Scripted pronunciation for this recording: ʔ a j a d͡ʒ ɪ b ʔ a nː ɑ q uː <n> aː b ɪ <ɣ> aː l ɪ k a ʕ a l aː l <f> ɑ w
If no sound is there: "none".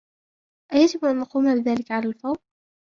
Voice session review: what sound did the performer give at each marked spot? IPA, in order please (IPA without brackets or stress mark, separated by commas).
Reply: m, ð, f